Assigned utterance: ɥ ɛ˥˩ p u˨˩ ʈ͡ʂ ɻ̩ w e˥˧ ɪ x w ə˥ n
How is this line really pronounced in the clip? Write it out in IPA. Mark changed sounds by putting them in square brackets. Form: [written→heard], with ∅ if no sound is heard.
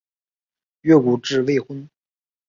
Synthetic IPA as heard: ɥ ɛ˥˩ [p→k] u˨˩ ʈ͡ʂ ɻ̩ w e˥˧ ɪ x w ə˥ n